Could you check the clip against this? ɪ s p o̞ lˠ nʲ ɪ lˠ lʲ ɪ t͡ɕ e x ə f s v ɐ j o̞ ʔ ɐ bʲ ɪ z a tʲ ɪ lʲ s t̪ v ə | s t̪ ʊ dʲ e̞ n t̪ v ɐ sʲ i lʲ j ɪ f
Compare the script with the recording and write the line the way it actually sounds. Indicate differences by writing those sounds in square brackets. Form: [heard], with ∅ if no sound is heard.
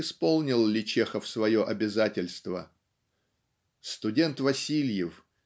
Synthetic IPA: ɪ s p o̞ lˠ nʲ ɪ lˠ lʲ ɪ t͡ɕ e x ə f s v ɐ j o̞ ʔ ɐ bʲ ɪ z a tʲ ɪ lʲ s t̪ v ə | s t̪ ʊ dʲ e̞ n t̪ v ɐ sʲ i lʲ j ɪ f